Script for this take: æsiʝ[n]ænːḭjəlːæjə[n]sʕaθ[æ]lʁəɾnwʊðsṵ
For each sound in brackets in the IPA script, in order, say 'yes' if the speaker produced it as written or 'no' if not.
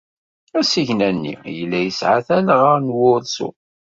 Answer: yes, no, yes

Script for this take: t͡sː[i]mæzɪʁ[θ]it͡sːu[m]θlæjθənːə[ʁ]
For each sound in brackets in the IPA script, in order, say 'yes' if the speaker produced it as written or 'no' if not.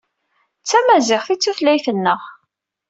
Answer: no, yes, no, yes

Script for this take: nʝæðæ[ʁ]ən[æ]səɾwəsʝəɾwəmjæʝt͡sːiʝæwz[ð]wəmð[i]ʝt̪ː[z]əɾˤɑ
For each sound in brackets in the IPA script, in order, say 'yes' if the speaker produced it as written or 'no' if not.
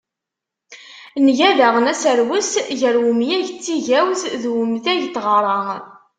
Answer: yes, yes, yes, no, no

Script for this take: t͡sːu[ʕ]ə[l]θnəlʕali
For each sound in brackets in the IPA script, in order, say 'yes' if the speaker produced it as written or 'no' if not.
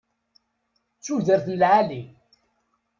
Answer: no, no

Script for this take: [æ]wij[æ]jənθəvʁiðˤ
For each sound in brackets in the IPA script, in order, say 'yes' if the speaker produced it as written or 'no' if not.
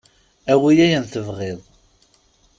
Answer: yes, yes

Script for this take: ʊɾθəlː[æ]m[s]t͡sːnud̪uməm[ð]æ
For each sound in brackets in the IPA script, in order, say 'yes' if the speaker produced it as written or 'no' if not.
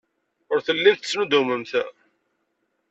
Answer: no, no, no

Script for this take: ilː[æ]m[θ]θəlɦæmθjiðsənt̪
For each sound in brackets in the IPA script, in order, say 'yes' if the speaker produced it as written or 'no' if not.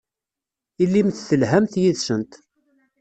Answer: no, yes

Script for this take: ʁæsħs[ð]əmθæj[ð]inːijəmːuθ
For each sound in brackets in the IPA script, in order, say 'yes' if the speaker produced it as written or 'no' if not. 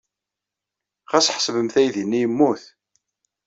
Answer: no, yes

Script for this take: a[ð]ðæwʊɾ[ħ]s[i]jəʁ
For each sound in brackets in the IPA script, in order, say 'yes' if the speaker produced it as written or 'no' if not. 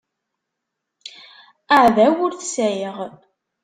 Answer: no, no, no

